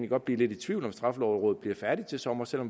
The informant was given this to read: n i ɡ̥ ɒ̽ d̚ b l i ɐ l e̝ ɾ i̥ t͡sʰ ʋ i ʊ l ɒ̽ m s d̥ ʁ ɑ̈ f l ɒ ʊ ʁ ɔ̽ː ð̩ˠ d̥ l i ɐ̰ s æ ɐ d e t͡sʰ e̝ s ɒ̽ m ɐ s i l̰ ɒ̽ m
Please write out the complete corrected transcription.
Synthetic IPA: n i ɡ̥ ɒ̽ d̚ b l i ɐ l e̝ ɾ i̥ t͡sʰ ʋ i ʊ l ɒ̽ m s d̥ ʁ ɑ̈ f l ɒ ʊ ʁ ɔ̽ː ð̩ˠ b̥ l i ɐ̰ f æ ɐ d i t͡sʰ e̝ s ɒ̽ m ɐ s e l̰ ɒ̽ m